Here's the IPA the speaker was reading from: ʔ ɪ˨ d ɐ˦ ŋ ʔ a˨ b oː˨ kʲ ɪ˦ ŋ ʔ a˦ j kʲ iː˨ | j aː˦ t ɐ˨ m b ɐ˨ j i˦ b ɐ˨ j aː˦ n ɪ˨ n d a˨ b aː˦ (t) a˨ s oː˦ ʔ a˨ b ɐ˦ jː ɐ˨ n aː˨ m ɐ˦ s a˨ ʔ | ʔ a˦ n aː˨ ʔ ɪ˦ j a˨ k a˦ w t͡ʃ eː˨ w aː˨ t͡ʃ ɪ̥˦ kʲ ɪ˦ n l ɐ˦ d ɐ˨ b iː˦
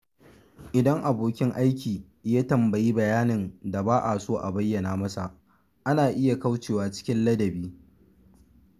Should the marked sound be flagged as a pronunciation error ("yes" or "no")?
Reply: yes